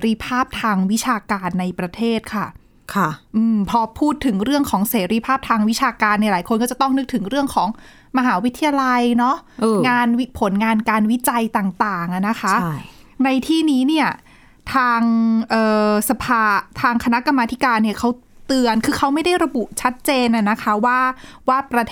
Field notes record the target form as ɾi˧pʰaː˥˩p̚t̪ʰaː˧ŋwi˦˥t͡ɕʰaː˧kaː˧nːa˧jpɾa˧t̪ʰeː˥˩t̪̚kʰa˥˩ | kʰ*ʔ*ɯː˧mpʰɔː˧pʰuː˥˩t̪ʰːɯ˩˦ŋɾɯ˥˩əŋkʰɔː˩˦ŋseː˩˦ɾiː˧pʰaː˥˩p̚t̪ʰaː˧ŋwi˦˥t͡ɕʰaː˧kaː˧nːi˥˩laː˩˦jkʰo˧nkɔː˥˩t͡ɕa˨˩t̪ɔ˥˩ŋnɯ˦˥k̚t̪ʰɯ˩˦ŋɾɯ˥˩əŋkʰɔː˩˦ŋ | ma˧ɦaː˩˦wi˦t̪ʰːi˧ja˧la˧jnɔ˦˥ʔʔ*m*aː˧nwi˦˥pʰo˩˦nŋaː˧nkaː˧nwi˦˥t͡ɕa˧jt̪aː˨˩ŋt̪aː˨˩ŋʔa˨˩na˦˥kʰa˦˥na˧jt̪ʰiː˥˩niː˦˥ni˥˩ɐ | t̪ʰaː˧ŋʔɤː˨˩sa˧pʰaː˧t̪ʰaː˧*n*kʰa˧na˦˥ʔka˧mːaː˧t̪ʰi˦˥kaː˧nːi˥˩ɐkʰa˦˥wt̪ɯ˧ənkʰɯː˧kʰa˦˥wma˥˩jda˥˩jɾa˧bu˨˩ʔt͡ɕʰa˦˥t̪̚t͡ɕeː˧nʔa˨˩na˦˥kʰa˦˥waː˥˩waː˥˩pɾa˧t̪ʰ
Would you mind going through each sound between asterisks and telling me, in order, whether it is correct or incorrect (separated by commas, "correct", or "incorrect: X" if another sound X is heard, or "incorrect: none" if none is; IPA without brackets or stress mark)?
correct, incorrect: ŋ, incorrect: ŋ